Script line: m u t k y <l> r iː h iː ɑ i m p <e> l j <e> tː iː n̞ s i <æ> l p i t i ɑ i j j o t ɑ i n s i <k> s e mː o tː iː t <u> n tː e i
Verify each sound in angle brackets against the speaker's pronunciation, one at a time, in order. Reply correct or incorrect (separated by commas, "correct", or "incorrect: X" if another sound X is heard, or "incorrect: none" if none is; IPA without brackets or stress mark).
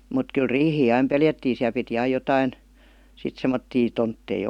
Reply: correct, correct, incorrect: æ, correct, incorrect: t, incorrect: o